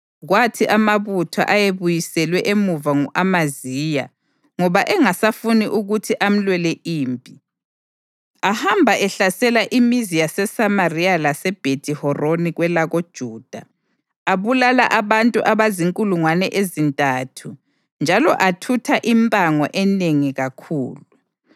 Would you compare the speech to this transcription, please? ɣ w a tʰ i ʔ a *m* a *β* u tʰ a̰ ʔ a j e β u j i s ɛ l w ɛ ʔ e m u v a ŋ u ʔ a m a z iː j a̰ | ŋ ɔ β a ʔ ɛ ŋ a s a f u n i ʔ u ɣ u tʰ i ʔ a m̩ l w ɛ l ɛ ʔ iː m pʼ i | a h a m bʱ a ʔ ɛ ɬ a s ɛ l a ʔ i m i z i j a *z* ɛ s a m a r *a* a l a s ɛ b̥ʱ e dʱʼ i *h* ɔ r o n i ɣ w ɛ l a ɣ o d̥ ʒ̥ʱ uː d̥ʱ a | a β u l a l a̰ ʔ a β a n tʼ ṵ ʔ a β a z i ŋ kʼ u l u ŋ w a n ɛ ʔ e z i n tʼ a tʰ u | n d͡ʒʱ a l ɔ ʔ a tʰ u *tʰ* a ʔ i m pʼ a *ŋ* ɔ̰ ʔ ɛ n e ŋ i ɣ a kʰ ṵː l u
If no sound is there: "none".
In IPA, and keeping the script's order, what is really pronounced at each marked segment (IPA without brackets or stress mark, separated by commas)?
m, β, s, i, h, tʰ, ŋ